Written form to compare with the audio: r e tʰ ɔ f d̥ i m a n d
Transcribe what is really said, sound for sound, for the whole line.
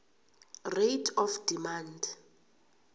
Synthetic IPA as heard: r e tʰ ɔ f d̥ i m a n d